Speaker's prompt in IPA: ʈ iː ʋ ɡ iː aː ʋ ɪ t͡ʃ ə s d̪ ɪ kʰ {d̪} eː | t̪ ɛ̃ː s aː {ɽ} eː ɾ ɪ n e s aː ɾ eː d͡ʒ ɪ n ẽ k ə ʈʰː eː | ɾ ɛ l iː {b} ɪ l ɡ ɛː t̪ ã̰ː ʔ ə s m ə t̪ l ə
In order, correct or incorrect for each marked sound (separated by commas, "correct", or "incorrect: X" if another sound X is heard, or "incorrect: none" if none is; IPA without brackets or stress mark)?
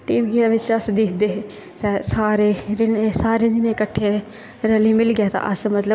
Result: correct, incorrect: ɾ, incorrect: m